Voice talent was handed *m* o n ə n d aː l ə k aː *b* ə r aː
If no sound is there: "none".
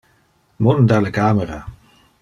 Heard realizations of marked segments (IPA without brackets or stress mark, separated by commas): m, m